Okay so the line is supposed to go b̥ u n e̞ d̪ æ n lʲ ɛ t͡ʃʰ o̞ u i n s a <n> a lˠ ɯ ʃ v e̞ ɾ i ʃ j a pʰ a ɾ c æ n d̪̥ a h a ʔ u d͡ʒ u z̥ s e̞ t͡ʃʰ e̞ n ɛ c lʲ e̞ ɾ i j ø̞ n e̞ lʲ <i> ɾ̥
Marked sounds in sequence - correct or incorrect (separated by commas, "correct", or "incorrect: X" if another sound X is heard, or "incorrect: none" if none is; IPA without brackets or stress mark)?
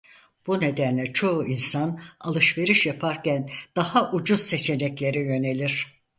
correct, correct